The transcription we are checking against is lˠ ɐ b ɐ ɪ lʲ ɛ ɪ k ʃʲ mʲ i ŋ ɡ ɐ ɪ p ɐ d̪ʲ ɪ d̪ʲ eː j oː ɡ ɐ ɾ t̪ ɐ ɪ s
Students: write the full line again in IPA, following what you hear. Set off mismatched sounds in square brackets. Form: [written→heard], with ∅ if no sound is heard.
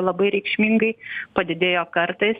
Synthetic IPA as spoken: lˠ ɐ b ɐ ɪ [lʲ→ɾʲ] ɛ ɪ k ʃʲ mʲ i ŋ ɡ ɐ ɪ p ɐ d̪ʲ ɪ d̪ʲ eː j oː [ɡ→k] ɐ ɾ t̪ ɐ ɪ s

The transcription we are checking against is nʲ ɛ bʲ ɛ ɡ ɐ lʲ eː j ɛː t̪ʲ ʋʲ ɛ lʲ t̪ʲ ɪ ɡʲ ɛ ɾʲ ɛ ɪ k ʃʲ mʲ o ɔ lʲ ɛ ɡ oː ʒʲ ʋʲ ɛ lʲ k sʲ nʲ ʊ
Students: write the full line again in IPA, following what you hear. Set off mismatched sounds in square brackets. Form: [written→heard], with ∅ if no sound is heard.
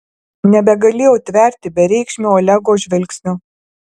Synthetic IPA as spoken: nʲ ɛ bʲ ɛ ɡ ɐ lʲ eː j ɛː t̪ʲ ʋʲ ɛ [lʲ→ɾʲ] t̪ʲ ɪ [ɡʲ→bʲ] ɛ ɾʲ ɛ ɪ k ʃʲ mʲ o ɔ lʲ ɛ ɡ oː ʒʲ ʋʲ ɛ lʲ k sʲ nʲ ʊ

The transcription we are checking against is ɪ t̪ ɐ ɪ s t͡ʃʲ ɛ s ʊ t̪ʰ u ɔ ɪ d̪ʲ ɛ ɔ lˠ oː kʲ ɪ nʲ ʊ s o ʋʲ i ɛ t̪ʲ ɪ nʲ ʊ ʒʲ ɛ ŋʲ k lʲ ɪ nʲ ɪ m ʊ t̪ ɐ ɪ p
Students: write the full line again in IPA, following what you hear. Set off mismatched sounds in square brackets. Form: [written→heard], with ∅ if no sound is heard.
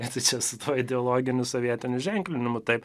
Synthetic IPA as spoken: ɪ t̪ ɐ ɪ [s→∅] t͡ʃʲ ɛ s ʊ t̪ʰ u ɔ ɪ d̪ʲ ɛ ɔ lˠ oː [kʲ→ɡʲ] ɪ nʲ ʊ s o ʋʲ i ɛ t̪ʲ ɪ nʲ ʊ ʒʲ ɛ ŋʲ k lʲ ɪ nʲ ɪ m ʊ t̪ ɐ ɪ p

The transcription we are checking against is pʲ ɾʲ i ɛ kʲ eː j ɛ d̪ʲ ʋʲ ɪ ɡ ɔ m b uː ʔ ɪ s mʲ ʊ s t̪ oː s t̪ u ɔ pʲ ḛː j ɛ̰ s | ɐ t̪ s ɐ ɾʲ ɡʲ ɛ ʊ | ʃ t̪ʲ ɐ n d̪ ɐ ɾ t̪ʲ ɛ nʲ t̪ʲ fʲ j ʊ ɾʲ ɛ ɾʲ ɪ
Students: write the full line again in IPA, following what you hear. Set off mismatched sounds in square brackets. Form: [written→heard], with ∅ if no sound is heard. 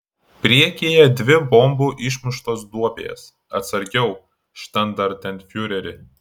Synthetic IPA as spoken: pʲ ɾʲ i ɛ kʲ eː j ɛ d̪ʲ ʋʲ ɪ [ɡ→b] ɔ m b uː ʔ ɪ [s→ʃ] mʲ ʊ [s→ʃ] t̪ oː s [t̪→d̪] u ɔ pʲ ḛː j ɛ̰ s | ɐ t̪ s ɐ ɾʲ ɡʲ ɛ ʊ | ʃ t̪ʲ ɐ n d̪ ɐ ɾ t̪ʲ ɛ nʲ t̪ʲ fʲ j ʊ ɾʲ ɛ ɾʲ ɪ

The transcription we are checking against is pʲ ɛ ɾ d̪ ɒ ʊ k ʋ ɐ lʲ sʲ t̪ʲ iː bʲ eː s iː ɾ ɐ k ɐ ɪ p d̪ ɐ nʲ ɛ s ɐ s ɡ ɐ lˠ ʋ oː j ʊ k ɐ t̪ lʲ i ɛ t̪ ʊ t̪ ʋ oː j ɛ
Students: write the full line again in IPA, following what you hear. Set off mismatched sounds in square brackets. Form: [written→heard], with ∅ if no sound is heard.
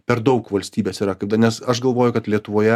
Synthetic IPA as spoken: pʲ ɛ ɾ d̪ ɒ ʊ k ʋ ɐ lʲ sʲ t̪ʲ iː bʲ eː s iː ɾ ɐ k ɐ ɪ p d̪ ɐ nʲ ɛ s ɐ [s→ʃ] ɡ ɐ lˠ ʋ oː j ʊ k ɐ t̪ lʲ i ɛ t̪ ʊ [t̪→∅] ʋ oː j ɛ

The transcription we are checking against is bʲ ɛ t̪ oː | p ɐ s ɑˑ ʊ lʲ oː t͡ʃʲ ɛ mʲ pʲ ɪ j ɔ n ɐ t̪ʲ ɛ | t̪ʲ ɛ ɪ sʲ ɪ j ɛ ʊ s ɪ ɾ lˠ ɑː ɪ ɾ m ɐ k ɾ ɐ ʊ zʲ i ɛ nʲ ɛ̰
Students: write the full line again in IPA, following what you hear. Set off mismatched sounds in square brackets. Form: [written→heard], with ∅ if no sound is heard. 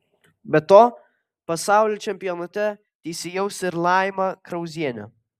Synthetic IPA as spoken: bʲ ɛ t̪ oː | p ɐ s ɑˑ ʊ lʲ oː t͡ʃʲ ɛ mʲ pʲ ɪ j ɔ n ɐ t̪ʲ ɛ | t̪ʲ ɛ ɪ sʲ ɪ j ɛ ʊ s ɪ ɾ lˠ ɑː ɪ [ɾ→∅] m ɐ k ɾ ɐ ʊ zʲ i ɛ nʲ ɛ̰

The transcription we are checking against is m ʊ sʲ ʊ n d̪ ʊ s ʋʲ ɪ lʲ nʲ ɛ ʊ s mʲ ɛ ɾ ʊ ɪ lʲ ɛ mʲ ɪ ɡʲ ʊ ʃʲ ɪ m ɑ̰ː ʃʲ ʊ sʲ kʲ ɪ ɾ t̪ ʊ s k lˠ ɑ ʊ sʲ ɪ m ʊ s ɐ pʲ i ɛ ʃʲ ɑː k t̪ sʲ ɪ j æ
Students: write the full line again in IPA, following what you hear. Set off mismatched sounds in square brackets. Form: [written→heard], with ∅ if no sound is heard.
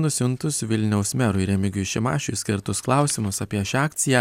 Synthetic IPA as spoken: [m→n] ʊ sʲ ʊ n [d̪→t̪] ʊ s ʋʲ ɪ lʲ nʲ ɛ ʊ s mʲ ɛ ɾ ʊ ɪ [lʲ→ɾʲ] ɛ mʲ ɪ ɡʲ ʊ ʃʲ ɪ m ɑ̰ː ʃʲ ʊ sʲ kʲ ɪ ɾ t̪ ʊ s k lˠ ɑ ʊ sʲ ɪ m ʊ s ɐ pʲ i ɛ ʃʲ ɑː k t̪ sʲ ɪ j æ

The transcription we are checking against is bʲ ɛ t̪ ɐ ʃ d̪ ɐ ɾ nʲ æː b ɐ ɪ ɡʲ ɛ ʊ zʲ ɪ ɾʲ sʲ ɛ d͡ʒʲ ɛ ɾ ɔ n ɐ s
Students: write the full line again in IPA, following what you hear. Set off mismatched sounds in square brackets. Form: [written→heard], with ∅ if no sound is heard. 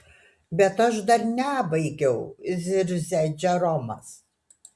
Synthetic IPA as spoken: bʲ ɛ t̪ ɐ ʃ d̪ ɐ ɾ nʲ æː b ɐ ɪ ɡʲ ɛ ʊ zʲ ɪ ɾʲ [sʲ→zʲ] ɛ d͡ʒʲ ɛ ɾ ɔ [n→m] ɐ s

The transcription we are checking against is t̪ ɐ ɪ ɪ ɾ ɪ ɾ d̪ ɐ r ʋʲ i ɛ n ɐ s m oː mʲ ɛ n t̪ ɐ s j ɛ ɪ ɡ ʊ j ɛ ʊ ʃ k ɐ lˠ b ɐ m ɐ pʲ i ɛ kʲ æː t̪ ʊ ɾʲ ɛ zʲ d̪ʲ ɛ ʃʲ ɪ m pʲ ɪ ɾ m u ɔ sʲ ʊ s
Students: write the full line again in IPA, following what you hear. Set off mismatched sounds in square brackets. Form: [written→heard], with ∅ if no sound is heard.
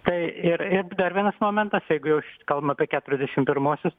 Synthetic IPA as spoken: t̪ ɐ ɪ ɪ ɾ ɪ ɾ d̪ ɐ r ʋʲ i ɛ n ɐ s m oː mʲ ɛ n t̪ ɐ s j ɛ ɪ ɡ ʊ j ɛ ʊ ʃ k ɐ lˠ b ɐ m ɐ pʲ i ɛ kʲ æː t̪ ʊ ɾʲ ɛ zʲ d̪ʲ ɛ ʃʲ ɪ m pʲ ɪ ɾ m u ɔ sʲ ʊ s

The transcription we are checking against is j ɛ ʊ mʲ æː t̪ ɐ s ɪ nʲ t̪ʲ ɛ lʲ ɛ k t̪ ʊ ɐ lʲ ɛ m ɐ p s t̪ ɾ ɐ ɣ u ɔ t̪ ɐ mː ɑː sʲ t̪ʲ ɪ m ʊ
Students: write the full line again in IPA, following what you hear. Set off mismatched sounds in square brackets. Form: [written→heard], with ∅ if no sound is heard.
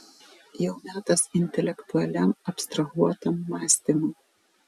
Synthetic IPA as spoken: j ɛ ʊ mʲ æː t̪ ɐ s ɪ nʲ t̪ʲ ɛ lʲ ɛ k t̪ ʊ ɐ lʲ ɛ m ɐ p s t̪ ɾ ɐ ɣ u ɔ t̪ ɐ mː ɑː sʲ t̪ʲ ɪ m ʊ

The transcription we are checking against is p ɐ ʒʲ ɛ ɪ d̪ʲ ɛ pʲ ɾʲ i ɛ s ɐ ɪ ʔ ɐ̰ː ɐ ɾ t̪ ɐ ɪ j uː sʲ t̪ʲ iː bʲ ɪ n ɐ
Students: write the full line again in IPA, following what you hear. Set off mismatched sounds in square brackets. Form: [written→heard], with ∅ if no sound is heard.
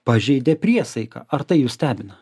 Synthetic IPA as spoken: p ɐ ʒʲ ɛ ɪ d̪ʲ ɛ pʲ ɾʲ i ɛ s ɐ ɪ [ʔ→k] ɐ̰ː ɐ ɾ t̪ ɐ ɪ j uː sʲ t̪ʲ [iː→æː] bʲ ɪ n ɐ

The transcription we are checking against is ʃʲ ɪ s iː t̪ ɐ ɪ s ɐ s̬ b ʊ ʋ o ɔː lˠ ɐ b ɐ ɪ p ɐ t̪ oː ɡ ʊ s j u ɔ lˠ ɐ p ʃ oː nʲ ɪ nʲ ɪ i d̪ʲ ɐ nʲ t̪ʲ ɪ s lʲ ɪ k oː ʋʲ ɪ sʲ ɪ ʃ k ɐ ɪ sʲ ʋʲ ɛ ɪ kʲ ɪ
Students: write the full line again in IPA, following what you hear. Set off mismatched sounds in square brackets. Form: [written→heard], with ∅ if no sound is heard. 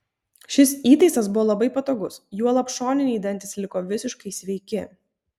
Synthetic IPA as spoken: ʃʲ ɪ s iː t̪ ɐ ɪ s ɐ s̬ b ʊ ʋ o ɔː lˠ ɐ b ɐ ɪ p ɐ t̪ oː ɡ ʊ s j u ɔ lˠ ɐ p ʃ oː nʲ ɪ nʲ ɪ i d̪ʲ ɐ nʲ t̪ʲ ɪ s lʲ ɪ k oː ʋʲ ɪ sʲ ɪ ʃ k ɐ ɪ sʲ ʋʲ ɛ ɪ kʲ ɪ

